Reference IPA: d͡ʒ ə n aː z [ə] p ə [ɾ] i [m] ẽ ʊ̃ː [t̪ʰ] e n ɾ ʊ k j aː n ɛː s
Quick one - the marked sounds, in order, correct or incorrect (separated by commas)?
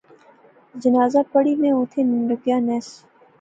incorrect, incorrect, correct, correct